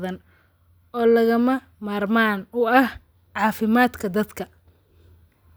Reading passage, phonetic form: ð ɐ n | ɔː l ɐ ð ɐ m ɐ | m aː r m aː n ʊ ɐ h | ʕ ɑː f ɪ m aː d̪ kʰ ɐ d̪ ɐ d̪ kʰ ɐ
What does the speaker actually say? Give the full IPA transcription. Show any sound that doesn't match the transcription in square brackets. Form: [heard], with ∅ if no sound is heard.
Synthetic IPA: ð ɐ n | ɔː l ɐ [ɣ] ɐ m ɐ | m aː r m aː n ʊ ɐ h | ʕ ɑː f ɪ m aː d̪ kʰ ɐ d̪ ɐ d̪ kʰ ɐ